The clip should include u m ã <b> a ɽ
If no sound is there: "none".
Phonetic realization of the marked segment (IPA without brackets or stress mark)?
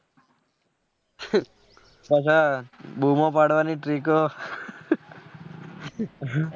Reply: p